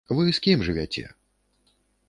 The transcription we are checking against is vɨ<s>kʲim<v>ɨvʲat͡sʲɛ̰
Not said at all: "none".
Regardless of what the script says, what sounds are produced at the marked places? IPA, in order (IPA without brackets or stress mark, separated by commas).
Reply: s, ʐ